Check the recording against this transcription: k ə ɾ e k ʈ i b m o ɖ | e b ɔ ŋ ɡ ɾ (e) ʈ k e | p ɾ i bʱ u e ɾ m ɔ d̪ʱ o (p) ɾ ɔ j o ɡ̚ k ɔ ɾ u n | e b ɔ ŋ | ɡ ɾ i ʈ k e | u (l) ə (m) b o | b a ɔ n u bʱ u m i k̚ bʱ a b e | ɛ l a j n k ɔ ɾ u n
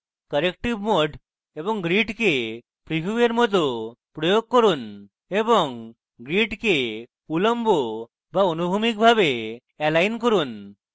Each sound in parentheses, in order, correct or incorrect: incorrect, correct, correct, correct

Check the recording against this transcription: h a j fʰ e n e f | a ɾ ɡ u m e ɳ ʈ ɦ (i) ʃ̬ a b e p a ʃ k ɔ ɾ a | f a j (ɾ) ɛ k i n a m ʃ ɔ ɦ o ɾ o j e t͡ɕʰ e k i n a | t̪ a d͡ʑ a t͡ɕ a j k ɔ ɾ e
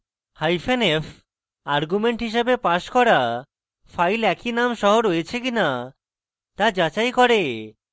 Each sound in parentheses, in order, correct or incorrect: correct, incorrect

